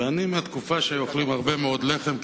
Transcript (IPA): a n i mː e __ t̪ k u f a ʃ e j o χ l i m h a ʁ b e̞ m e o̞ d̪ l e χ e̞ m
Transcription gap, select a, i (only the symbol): a